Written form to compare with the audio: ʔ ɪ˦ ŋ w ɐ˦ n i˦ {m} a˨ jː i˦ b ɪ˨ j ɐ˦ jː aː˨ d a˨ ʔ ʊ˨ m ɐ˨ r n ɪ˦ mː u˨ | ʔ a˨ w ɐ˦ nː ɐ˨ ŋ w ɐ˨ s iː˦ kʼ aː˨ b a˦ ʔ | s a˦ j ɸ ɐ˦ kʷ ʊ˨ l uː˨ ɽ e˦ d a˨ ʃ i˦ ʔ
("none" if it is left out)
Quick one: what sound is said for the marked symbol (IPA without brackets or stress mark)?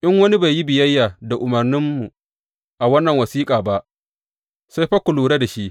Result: b